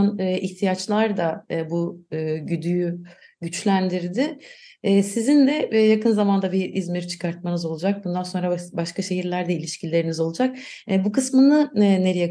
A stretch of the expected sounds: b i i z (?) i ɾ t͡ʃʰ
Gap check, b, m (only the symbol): m